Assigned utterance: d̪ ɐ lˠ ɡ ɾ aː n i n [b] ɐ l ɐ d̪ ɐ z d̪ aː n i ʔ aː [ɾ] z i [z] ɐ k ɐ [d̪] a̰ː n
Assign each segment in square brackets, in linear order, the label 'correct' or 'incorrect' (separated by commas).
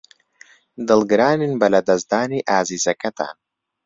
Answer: correct, incorrect, correct, incorrect